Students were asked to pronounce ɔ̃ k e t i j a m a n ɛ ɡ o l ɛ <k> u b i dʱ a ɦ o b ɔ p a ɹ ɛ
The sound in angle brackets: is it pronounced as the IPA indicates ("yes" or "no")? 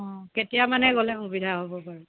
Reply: no